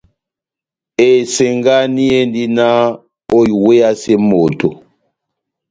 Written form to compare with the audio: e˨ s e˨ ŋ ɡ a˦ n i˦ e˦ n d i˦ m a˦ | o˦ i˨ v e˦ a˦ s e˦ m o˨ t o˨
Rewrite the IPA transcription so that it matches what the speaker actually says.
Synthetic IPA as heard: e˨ s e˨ ŋ ɡ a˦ n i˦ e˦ n d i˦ n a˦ | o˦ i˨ w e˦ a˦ s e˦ m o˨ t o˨